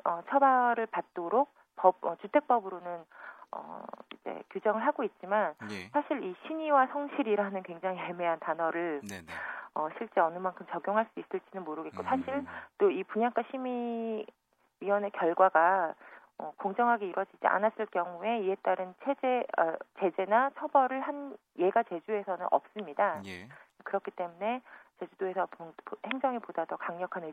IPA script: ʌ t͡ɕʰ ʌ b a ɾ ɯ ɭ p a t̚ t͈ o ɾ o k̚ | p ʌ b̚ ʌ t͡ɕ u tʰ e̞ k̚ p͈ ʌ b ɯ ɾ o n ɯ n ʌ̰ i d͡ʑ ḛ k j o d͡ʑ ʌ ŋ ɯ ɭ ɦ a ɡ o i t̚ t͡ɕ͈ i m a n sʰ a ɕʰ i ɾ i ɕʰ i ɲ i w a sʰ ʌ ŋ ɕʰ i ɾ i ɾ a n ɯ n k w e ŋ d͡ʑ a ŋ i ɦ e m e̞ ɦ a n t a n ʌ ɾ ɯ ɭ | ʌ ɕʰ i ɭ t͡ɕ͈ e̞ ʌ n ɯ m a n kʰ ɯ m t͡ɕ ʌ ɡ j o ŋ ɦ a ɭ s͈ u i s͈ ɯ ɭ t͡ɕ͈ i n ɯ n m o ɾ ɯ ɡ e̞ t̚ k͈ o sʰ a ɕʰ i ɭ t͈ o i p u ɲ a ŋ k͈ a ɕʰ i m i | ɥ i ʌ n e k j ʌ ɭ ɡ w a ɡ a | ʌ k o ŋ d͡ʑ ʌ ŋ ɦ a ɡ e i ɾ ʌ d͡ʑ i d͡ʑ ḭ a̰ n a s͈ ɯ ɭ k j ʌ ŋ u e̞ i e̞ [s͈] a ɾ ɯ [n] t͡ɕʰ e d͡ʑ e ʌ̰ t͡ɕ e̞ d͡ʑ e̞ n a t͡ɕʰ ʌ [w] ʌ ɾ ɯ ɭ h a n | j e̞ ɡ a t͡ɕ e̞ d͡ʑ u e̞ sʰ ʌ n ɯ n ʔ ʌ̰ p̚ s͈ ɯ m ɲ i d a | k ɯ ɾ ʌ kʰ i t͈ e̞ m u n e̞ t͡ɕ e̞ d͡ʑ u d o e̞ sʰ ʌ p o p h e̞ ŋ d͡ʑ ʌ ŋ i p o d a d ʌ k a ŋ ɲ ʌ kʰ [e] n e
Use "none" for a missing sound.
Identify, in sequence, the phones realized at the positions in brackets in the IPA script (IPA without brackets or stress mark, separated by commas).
t͈, n, b, a